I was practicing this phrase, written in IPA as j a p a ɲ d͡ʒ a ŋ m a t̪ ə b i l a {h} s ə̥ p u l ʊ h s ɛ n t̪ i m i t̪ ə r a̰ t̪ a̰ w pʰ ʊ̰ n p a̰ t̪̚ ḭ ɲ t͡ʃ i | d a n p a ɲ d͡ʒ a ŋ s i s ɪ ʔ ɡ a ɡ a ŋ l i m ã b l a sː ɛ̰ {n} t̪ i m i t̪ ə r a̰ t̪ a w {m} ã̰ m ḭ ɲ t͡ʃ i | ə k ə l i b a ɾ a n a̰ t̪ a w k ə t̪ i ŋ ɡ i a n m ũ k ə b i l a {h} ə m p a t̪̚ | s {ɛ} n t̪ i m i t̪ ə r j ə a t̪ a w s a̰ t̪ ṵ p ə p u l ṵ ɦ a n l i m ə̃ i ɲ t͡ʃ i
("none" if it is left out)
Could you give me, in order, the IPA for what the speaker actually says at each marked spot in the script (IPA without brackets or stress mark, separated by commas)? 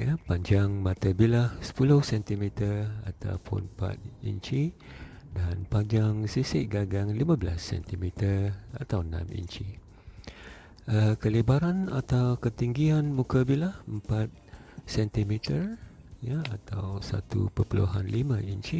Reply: h, n, n, h, ɛ